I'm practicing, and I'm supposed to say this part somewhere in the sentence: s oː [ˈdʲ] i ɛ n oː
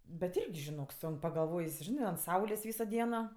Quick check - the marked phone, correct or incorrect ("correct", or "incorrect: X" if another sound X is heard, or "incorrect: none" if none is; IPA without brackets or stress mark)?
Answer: correct